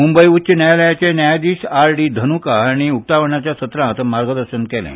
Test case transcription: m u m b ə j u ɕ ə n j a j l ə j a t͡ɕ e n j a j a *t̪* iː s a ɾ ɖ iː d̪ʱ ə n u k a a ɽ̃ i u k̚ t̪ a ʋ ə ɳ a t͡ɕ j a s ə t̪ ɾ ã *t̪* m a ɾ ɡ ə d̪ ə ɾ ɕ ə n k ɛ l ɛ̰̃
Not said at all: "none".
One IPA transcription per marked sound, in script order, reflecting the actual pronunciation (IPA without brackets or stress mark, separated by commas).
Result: d̪, t̪